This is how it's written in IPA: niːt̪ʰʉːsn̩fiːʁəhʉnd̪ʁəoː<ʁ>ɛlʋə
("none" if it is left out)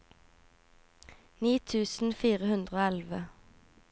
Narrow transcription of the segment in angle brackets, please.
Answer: none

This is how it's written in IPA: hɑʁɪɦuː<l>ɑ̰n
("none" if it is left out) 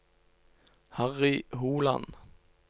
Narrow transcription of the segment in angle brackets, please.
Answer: l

